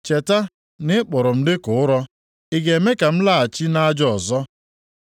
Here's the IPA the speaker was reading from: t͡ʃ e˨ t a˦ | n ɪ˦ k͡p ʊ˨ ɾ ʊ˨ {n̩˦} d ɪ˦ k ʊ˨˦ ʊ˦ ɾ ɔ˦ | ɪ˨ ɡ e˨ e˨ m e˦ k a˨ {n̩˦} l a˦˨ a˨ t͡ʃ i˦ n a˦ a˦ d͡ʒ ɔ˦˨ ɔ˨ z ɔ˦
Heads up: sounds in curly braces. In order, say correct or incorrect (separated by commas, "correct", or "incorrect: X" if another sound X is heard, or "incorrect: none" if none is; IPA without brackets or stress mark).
incorrect: m̩˦, incorrect: m̩˦